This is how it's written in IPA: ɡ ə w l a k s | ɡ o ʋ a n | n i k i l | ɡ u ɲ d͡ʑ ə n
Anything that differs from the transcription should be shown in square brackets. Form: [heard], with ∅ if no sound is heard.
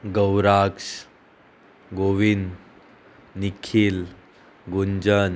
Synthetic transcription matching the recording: ɡ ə w [ɾ] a k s | ɡ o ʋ [i] n | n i [kʰ] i l | ɡ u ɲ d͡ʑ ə n